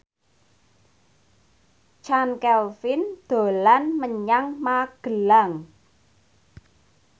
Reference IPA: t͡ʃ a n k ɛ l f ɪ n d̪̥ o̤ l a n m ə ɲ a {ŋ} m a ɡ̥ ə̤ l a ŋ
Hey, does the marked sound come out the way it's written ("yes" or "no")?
yes